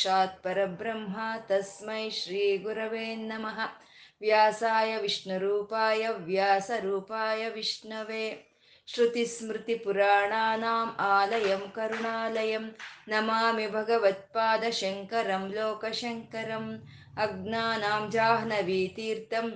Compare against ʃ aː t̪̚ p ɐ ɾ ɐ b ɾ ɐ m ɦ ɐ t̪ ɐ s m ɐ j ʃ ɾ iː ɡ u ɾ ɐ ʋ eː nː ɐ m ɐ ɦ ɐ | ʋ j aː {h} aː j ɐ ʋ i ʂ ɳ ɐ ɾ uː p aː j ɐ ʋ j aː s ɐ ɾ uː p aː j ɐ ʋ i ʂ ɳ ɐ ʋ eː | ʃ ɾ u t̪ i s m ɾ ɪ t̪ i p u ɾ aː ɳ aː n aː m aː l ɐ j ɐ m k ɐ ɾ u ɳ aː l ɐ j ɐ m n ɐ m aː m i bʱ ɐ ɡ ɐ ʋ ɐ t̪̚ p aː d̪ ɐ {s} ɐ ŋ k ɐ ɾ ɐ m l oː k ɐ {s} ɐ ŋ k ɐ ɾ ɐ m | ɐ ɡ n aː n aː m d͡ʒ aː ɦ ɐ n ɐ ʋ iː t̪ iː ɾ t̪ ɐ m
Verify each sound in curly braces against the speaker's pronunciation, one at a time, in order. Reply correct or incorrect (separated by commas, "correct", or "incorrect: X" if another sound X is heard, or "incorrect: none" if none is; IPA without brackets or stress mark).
incorrect: s, incorrect: ʃ, incorrect: ʃ